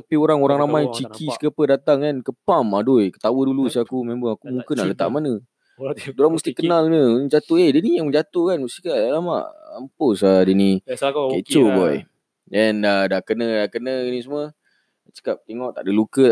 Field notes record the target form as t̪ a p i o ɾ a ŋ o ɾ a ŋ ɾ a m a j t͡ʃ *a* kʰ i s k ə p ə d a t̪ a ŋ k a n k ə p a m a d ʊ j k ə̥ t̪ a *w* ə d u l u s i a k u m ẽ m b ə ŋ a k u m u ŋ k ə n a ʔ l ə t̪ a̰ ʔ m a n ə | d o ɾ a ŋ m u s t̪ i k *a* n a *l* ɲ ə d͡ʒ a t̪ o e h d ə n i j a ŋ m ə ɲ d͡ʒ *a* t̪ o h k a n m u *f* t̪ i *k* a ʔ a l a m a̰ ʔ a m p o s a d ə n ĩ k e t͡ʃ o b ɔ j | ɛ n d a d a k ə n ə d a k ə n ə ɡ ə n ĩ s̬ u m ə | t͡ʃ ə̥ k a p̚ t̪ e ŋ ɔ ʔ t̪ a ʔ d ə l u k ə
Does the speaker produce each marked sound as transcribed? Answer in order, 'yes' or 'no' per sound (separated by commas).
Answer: no, yes, no, yes, yes, no, yes